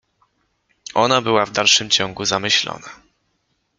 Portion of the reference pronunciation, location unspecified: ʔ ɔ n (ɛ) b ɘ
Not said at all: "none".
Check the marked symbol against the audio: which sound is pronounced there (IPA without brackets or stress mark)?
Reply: a